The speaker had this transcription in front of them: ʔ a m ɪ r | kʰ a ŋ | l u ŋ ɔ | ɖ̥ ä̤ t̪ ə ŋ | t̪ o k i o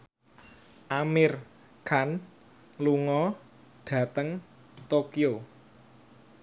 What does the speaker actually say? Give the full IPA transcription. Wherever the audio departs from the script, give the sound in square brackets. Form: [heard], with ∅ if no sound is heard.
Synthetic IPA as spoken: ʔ a m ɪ r | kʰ a [n] | l u ŋ ɔ | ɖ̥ ä̤ t̪ ə ŋ | t̪ o k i o